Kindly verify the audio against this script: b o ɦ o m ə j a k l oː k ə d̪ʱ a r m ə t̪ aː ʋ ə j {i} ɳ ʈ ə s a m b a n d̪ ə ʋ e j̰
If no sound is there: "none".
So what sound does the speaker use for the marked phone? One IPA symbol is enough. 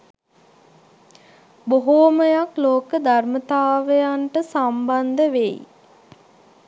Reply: a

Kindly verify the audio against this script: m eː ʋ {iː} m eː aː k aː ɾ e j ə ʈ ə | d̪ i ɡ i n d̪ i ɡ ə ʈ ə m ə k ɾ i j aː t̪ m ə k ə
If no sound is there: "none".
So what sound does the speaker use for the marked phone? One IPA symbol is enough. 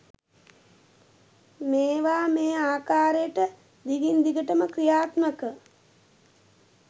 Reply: aː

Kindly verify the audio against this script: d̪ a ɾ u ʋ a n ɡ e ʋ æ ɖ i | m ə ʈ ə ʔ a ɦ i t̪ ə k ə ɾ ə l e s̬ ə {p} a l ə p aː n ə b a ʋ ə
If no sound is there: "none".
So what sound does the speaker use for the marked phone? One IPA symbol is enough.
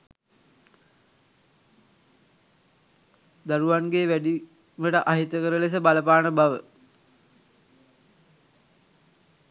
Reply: b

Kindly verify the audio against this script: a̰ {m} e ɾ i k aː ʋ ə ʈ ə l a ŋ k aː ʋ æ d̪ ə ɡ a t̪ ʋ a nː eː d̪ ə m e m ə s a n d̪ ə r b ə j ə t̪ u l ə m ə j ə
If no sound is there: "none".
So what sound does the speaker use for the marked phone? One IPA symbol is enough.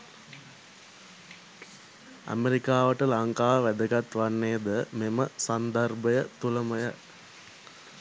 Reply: m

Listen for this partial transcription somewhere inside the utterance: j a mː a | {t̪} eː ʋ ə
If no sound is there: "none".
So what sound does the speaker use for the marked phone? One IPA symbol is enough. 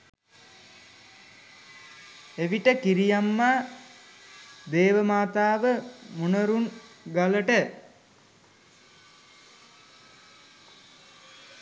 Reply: d̪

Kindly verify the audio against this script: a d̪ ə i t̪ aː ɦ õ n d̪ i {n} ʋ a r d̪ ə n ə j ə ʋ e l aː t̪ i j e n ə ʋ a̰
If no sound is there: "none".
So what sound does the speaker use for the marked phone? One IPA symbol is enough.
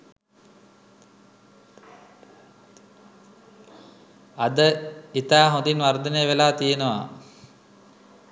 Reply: n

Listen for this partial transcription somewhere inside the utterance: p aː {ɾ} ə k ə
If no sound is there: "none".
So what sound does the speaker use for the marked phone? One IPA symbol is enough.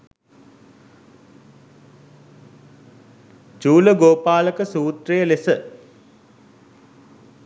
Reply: l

